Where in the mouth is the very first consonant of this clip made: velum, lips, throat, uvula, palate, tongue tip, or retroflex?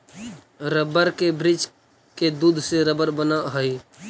tongue tip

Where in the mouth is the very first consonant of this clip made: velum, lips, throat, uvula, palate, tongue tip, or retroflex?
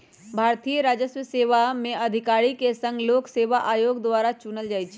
lips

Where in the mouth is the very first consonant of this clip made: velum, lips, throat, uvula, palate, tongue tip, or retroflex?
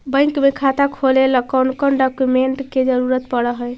lips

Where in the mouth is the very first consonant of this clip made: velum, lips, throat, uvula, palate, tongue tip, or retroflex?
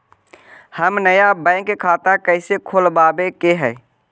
throat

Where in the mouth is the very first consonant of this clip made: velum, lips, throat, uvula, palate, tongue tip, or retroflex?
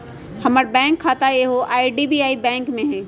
throat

